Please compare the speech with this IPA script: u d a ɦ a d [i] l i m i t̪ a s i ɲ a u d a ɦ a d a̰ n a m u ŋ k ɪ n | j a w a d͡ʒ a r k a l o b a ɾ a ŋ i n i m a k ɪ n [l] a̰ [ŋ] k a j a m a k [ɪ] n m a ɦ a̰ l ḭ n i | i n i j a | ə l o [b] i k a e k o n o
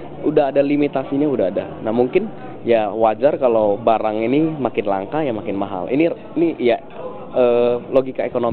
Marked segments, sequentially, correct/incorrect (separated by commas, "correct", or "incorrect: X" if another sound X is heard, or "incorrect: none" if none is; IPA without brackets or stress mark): incorrect: a, correct, correct, correct, incorrect: ɡ